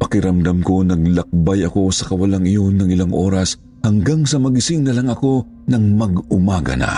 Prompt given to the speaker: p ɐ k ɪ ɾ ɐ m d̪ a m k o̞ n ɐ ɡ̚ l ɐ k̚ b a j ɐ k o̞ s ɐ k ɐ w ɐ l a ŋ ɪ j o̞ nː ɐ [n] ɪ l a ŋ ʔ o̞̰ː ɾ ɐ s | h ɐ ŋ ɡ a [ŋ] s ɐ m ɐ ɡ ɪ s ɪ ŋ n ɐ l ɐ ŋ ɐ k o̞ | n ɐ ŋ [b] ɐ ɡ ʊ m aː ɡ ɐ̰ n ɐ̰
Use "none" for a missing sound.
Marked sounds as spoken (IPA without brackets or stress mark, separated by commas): ŋ, ŋ, m